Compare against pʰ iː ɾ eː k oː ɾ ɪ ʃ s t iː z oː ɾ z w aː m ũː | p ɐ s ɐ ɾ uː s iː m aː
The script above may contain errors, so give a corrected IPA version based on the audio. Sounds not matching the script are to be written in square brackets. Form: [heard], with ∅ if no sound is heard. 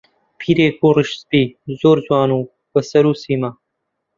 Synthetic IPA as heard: pʰ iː ɾ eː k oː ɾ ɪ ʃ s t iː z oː ɾ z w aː [n] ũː | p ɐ s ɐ ɾ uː s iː m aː